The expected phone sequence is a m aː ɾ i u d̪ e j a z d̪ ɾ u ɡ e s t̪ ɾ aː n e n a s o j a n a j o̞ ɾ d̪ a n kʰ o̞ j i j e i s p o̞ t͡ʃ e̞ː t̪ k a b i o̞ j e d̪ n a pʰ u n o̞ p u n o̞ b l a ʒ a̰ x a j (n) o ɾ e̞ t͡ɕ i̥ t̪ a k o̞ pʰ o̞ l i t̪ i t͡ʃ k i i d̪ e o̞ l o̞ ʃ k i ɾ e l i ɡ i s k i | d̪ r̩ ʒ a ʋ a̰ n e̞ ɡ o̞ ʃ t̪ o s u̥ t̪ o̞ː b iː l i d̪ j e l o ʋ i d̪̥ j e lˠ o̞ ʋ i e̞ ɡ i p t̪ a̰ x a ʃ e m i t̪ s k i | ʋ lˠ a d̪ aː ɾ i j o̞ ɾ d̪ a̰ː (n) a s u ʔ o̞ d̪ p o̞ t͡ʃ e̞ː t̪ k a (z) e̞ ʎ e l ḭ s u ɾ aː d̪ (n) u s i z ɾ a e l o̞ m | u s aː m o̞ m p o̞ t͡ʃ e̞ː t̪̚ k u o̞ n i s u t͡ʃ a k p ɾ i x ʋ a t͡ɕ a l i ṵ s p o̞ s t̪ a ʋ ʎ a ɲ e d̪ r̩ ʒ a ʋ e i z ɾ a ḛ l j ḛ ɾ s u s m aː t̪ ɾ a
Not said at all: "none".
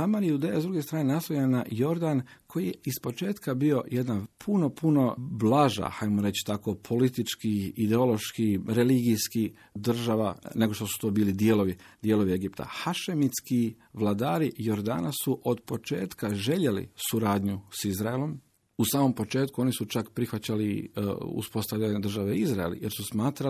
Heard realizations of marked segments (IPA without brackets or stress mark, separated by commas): m, n, ʒ, ɲ